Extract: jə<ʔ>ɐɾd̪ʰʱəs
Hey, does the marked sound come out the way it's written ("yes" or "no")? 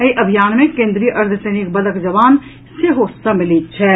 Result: yes